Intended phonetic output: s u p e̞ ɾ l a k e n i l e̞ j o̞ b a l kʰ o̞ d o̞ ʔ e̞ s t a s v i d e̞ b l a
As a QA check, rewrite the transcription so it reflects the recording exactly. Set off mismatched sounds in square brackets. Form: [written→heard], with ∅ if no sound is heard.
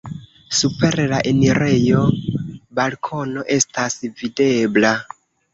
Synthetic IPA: s u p e̞ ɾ l a [k→ʔ] e n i [l→ɾ] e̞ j o̞ b a l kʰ o̞ [d→n] o̞ ʔ e̞ s t a s v i d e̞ b l a